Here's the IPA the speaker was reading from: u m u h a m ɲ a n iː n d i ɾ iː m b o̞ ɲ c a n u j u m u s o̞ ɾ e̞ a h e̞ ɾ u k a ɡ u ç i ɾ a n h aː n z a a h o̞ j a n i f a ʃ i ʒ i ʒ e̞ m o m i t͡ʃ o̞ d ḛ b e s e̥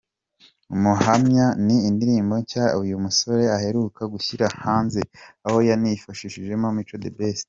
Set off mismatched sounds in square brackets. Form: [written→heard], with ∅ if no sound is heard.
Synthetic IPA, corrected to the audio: u m u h a m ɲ a n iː n d i ɾ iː m b o̞ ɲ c a [n→∅] u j u m u s o̞ ɾ e̞ a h e̞ ɾ u k a ɡ u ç i ɾ a [n→∅] h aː n z [a→e] a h o̞ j a n i f a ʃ i [ʒ→ʃ] i ʒ e̞ m o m i t͡ʃ o̞ d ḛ b e s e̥